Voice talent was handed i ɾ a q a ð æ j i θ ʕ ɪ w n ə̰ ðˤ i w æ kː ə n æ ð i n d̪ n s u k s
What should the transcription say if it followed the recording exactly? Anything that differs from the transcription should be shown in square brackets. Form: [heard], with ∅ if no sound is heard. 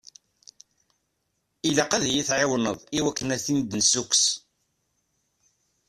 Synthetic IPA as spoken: i [l] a q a ð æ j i θ ʕ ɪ w n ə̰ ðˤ i w æ kː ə n æ [θ] i n d̪ n s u k s